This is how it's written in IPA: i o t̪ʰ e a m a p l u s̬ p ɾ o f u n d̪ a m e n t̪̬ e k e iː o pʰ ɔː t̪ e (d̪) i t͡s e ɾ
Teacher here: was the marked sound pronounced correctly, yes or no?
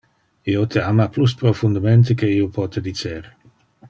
yes